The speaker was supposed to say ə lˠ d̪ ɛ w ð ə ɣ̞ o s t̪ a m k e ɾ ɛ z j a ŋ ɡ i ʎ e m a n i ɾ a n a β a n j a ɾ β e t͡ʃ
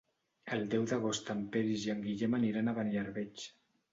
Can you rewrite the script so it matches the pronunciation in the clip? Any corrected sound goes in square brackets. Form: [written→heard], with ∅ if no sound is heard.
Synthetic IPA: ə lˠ d̪ ɛ w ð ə ɣ̞ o s t̪ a m [k→p] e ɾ [ɛ→i] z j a ŋ ɡ i ʎ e m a n i ɾ a n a β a n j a ɾ β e t͡ʃ

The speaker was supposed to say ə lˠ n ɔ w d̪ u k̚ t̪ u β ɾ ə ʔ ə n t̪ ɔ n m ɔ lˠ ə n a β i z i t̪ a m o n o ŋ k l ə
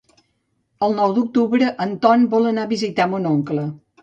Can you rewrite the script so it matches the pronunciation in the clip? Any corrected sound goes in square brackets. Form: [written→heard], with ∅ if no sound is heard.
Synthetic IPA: ə lˠ n ɔ w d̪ u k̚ t̪ u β ɾ ə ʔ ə n t̪ ɔ n [m→b] ɔ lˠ ə n a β i z i t̪ a m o n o ŋ k l ə

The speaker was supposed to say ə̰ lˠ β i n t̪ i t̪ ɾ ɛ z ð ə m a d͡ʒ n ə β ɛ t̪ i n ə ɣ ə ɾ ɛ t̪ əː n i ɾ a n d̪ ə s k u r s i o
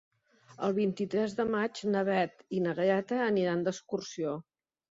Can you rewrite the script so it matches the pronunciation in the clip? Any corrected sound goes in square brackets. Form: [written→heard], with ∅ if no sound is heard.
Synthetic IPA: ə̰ lˠ β i n t̪ i t̪ ɾ ɛ z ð ə m a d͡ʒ n ə β ɛ t̪ i n ə ɣ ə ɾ ɛ t̪ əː n i ɾ a n d̪ ə s k u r s i o

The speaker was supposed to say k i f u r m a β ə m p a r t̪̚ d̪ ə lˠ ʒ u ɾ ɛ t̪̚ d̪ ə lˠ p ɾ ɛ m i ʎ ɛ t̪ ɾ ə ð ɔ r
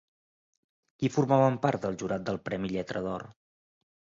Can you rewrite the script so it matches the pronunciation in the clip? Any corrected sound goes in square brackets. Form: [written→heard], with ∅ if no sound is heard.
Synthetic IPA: k i f u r m a β ə m p a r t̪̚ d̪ ə lˠ ʒ u ɾ [ɛ→a] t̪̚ d̪ ə lˠ p ɾ ɛ m i ʎ ɛ t̪ ɾ ə ð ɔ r

